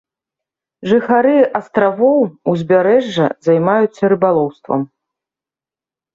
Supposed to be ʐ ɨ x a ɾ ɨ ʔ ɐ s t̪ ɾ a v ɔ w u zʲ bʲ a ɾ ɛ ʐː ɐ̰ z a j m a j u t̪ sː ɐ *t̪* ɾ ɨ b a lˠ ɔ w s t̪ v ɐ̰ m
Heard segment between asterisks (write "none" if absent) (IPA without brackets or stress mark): none